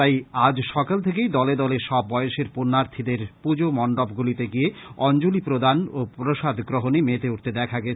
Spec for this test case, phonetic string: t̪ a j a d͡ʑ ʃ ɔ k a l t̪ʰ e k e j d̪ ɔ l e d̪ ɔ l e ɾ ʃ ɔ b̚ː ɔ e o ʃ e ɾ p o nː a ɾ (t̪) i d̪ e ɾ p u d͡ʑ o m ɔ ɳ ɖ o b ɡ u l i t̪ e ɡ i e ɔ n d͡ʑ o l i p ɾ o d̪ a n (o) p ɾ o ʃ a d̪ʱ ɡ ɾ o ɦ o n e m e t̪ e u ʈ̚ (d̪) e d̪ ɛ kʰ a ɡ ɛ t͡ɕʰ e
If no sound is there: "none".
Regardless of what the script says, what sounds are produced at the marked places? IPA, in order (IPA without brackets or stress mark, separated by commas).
t̪ʰ, o, t̪